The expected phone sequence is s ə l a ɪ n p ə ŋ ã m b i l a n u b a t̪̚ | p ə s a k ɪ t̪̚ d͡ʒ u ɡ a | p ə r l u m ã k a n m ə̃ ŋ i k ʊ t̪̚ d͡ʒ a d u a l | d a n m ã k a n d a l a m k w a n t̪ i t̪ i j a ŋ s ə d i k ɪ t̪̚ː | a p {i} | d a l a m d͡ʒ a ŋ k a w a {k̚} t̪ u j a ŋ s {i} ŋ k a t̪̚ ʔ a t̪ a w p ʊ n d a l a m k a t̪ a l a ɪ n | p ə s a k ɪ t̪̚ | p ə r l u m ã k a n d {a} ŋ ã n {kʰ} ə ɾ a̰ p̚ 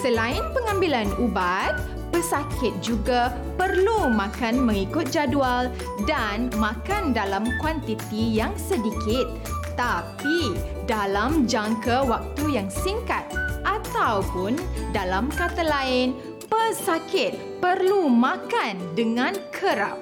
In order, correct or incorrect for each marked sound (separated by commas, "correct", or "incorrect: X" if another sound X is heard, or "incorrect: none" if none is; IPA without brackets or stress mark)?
correct, correct, correct, incorrect: ə, correct